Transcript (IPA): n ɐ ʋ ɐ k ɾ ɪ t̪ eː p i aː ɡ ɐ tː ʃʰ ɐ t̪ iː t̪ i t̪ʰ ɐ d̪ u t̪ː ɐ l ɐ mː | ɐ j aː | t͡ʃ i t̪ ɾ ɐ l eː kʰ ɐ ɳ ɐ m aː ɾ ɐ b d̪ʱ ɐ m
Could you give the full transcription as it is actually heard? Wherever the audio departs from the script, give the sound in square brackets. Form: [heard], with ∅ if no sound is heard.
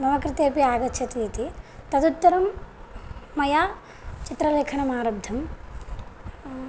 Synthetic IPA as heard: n ɐ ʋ ɐ k ɾ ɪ t̪ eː p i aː ɡ ɐ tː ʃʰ ɐ t̪ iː t̪ i [t̪] ɐ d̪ u t̪ː ɐ [ɾ] ɐ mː | ɐ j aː | t͡ʃ i t̪ ɾ ɐ l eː kʰ ɐ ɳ ɐ m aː ɾ ɐ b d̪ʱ ɐ m